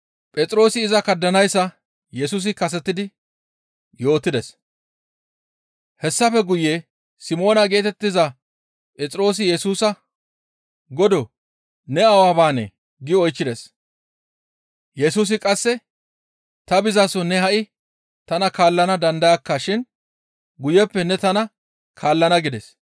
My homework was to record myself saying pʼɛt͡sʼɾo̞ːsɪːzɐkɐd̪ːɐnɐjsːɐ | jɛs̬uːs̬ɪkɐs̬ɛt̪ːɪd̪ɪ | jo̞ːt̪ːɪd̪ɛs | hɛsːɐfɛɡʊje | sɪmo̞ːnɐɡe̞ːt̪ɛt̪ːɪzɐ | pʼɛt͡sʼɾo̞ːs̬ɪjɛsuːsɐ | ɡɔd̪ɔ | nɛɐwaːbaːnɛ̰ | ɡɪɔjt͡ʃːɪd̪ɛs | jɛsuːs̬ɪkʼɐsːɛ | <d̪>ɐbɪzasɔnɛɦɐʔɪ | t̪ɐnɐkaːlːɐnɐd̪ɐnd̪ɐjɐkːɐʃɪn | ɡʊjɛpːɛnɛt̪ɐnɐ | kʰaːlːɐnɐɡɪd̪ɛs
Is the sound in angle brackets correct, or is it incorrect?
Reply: incorrect